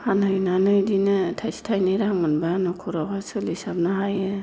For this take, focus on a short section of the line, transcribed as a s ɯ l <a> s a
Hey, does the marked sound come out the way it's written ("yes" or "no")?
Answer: no